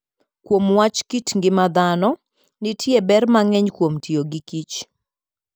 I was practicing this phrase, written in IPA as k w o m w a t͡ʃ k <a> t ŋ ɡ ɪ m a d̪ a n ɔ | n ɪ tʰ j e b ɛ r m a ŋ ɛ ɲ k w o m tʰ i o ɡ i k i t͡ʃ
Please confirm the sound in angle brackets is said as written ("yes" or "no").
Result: no